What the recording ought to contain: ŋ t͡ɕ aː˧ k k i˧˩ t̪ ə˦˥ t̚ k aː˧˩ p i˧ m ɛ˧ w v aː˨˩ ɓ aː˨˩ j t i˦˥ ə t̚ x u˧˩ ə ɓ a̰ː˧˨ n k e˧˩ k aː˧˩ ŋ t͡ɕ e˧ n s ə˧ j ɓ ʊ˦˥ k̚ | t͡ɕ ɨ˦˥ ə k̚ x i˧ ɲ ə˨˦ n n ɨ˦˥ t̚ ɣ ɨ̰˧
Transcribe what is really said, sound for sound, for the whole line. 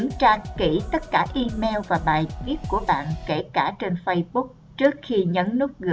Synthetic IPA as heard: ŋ t͡ɕ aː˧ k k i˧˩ t̪ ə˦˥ t̚ k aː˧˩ ʔ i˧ m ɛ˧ w v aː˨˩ ɓ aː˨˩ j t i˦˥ ə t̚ k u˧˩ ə ɓ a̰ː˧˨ n k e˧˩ k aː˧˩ t͡ɕ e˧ n f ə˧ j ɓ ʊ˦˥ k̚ | t͡ɕ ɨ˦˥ ə k̚ x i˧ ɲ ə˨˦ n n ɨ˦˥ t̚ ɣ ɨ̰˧